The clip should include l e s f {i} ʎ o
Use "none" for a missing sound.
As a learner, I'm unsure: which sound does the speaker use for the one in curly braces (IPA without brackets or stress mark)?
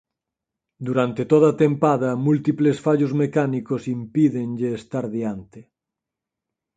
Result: a